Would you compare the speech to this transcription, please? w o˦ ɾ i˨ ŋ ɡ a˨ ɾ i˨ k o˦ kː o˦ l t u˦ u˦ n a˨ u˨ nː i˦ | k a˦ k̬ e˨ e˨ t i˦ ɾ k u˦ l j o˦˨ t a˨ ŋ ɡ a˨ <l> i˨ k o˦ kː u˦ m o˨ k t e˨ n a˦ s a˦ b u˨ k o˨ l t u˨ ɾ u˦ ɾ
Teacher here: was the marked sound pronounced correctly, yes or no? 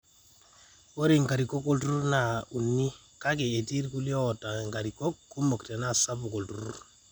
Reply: no